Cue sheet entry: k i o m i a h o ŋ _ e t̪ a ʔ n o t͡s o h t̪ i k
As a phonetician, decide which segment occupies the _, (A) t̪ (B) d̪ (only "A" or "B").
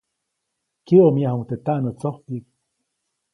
A